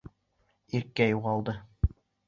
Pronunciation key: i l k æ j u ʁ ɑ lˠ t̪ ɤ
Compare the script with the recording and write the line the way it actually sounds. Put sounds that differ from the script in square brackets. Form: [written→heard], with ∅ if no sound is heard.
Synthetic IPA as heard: i [l→ɾ] k æ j u ʁ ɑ lˠ [t̪→d̪] ɤ